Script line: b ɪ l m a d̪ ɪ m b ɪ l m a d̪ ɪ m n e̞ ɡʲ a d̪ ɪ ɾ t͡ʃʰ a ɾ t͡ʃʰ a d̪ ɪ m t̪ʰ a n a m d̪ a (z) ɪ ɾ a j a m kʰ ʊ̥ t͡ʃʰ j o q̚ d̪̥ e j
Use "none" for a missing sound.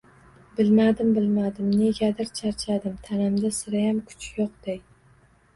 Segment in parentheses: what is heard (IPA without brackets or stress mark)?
s